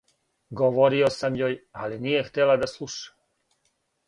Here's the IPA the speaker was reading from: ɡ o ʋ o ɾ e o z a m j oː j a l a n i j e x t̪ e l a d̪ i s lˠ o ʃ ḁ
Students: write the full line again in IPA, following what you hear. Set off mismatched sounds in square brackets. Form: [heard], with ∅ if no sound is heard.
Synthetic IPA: ɡ o ʋ o ɾ [i] o [s] a m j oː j a l [i] n i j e x t̪ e l a d̪ [a] s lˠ [u] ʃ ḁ